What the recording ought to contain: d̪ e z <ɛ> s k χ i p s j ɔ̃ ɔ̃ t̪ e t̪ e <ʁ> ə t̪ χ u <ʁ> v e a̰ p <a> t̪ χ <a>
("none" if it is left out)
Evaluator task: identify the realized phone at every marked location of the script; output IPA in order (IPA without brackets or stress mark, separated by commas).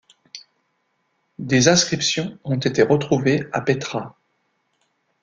ɛ̃, ʁ, none, e, a